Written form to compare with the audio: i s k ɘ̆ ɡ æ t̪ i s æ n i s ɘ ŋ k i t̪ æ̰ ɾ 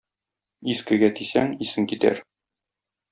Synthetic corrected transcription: i s k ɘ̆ ɡ æ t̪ i s æ ŋ i s ɘ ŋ k i t̪ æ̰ ɾ